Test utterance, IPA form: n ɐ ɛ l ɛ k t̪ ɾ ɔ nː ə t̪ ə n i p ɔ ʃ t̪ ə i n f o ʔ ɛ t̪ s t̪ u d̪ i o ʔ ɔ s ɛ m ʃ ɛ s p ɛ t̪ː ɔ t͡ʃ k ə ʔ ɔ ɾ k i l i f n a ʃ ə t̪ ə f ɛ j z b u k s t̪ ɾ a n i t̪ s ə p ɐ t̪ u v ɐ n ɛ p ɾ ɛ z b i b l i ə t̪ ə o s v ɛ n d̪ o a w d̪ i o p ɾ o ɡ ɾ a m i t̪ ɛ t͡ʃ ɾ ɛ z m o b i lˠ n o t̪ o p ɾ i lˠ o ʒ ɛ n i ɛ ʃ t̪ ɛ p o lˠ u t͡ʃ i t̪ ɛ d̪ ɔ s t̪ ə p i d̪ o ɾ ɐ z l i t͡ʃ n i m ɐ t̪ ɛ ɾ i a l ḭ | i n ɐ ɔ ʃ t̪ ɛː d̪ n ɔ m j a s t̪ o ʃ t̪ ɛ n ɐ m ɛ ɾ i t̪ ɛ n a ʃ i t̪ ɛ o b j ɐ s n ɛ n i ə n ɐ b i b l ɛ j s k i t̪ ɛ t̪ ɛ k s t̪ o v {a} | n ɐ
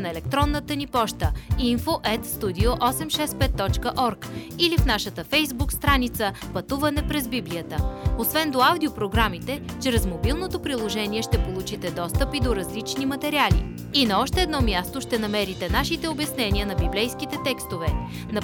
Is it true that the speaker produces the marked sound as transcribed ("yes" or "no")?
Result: no